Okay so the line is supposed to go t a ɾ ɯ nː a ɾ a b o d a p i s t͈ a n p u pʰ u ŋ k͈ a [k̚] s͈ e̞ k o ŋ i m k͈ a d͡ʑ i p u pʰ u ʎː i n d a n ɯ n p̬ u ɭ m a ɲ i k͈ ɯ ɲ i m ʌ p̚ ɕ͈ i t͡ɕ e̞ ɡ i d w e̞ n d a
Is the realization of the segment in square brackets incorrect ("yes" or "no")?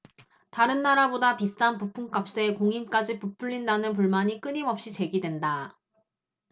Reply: yes